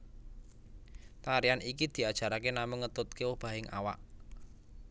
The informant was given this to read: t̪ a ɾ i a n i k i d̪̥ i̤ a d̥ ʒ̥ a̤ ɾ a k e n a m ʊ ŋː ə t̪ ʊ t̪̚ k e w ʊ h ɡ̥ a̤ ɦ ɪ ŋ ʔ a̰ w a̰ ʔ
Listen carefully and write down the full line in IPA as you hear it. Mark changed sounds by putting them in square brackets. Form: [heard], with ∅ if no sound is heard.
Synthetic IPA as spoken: t̪ a ɾ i a n i k i d̪̥ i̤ a d̥ ʒ̥ a̤ ɾ a k e n a m ʊ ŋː ə t̪ ʊ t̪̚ k e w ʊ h [b̥] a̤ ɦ ɪ ŋ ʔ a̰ w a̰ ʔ